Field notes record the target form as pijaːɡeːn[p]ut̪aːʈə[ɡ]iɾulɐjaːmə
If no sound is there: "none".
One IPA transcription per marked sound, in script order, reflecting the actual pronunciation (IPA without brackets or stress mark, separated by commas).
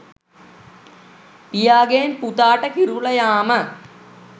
p, k